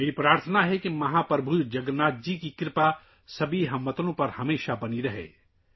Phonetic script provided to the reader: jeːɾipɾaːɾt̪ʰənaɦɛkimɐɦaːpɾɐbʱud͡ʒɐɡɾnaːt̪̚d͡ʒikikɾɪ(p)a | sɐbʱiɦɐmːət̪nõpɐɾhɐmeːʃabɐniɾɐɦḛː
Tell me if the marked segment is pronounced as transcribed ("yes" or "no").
yes